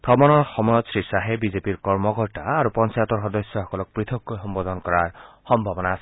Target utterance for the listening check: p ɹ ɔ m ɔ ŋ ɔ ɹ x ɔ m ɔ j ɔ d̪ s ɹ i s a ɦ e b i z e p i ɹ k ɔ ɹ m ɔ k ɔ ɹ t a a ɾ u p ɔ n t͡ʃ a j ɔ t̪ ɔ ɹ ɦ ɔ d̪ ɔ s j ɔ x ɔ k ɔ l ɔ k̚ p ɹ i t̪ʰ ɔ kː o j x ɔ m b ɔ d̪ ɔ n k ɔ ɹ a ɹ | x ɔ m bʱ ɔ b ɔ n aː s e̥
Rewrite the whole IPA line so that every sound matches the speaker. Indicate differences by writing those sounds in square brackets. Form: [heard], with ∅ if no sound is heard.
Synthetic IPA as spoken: p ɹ ɔ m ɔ [n] ɔ ɹ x ɔ m ɔ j ɔ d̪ s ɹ i s a ɦ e b i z e p i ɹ k ɔ ɹ m ɔ k ɔ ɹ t a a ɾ u p ɔ n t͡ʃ a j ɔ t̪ ɔ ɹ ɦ ɔ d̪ ɔ s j ɔ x ɔ k ɔ l ɔ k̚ p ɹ i t̪ʰ ɔ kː o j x ɔ m b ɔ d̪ ɔ n k ɔ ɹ a ɹ | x ɔ m bʱ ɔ b ɔ n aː s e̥